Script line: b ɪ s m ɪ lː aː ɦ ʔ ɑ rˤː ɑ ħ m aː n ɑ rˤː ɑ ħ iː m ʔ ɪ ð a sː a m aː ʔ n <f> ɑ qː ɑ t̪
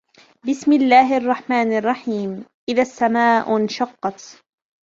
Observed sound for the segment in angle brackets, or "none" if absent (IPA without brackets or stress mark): ʃ